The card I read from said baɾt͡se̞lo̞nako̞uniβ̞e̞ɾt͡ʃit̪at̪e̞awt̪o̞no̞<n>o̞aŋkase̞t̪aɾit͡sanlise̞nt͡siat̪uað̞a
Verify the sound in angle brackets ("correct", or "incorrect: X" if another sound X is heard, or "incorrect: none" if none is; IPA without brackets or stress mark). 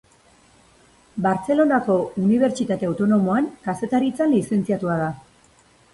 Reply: incorrect: m